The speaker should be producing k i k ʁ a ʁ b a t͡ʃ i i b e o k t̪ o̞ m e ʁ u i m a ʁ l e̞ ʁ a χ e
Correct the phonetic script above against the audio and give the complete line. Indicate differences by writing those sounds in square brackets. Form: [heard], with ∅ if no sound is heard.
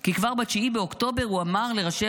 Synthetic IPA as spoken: k i k [v] a ʁ b a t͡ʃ i i b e o k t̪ o̞ [b] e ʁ u [a] m a ʁ l e̞ ʁ a [ʃ] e